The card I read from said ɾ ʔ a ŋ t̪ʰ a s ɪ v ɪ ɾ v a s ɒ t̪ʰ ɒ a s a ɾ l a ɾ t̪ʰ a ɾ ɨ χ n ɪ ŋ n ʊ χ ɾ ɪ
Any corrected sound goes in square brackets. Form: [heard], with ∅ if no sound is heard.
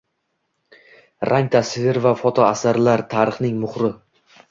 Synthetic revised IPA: ɾ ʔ a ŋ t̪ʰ a s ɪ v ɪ ɾ v a [f] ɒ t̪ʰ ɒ a s a ɾ l a ɾ t̪ʰ a ɾ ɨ χ n ɪ ŋ [m] ʊ χ ɾ ɪ